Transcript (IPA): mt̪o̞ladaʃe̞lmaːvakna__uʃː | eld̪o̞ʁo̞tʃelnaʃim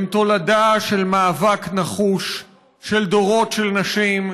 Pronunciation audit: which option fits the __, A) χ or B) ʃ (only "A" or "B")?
A